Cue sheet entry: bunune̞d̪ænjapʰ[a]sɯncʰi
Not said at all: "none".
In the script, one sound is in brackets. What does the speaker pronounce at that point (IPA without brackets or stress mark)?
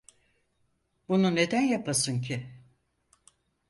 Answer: a